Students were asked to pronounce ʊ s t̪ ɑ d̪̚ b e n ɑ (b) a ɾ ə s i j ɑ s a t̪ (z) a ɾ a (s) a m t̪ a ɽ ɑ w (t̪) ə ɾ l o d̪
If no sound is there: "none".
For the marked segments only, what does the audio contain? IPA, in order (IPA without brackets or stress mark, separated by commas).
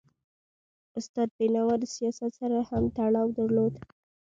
w, s, h, d̪